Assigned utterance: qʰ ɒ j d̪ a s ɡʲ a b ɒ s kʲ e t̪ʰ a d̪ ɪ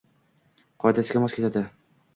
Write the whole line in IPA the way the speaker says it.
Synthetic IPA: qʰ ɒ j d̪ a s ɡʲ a m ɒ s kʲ e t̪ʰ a d̪ ɪ